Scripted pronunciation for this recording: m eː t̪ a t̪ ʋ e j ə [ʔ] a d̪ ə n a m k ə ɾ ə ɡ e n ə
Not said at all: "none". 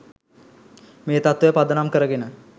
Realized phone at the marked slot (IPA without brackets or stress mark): p